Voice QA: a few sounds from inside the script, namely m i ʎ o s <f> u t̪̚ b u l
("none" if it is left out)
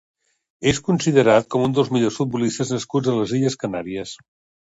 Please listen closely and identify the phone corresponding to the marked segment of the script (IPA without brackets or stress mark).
f